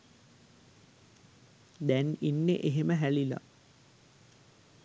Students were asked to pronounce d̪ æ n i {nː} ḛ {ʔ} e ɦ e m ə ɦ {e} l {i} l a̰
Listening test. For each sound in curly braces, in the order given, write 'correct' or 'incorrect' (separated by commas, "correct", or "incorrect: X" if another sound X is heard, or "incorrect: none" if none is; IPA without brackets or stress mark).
correct, correct, incorrect: æ, correct